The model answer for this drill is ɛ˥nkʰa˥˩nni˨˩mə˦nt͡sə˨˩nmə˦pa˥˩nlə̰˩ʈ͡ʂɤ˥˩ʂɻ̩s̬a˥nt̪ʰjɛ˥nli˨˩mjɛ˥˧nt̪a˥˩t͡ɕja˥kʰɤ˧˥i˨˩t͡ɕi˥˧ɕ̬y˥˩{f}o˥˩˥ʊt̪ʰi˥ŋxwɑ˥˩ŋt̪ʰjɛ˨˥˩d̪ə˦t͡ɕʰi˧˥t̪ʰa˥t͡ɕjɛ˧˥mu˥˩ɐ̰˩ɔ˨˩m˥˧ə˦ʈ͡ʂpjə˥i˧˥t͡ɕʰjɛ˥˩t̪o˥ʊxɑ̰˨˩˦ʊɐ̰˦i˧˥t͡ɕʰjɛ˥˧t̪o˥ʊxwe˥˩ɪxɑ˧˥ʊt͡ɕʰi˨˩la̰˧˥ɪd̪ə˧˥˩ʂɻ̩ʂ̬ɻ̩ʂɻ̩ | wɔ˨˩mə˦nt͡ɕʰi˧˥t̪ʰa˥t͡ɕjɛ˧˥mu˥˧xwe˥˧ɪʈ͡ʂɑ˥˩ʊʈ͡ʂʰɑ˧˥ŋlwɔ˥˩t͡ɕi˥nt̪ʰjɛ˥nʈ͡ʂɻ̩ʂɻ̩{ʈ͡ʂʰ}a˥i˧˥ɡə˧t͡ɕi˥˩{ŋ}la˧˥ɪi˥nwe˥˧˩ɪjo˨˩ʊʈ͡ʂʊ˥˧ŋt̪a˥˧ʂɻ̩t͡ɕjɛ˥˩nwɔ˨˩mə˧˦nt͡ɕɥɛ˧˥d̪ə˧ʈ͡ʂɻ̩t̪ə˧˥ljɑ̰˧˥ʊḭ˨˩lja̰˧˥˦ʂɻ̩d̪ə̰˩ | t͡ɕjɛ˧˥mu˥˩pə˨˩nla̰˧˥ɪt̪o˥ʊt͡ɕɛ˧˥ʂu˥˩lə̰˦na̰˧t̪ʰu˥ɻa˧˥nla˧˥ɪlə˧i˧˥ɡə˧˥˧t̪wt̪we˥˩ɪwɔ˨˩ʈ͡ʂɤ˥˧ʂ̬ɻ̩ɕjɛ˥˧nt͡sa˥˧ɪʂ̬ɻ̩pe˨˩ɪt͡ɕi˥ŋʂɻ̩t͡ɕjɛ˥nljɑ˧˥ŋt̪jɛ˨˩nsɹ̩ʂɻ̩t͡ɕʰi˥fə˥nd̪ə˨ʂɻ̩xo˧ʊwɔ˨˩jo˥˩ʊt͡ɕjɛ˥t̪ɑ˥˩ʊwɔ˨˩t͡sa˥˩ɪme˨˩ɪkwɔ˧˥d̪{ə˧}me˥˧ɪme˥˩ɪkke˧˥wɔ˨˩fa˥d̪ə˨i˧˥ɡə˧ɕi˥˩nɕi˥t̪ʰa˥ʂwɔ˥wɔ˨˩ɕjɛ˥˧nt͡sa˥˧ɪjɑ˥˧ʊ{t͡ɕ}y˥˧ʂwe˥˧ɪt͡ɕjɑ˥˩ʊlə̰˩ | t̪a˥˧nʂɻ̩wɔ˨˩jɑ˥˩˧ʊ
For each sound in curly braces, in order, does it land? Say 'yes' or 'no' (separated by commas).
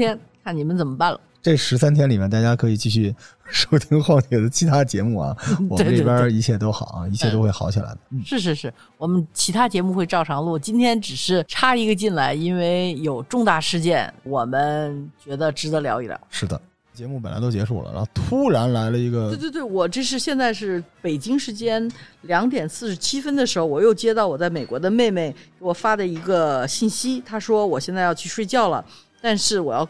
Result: no, yes, no, yes, no